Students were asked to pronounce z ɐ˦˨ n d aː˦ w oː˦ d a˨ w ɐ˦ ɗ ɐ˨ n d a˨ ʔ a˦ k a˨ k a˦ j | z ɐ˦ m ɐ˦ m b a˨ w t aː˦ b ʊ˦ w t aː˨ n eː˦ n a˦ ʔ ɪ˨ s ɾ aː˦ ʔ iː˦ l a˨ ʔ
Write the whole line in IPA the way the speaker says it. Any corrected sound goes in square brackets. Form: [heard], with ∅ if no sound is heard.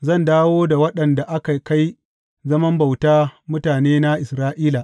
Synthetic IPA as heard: z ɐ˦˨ n d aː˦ w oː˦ d a˨ w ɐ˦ ɗ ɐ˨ n d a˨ ʔ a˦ k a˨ k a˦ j | z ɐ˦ m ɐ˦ m b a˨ w t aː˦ [m] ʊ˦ [∅] t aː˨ n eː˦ n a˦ ʔ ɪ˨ s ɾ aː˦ ʔ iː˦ l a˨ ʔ